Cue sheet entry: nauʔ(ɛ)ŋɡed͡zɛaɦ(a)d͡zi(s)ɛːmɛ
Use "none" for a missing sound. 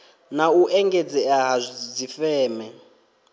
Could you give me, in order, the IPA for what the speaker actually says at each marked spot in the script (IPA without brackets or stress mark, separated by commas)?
ɛ, a, f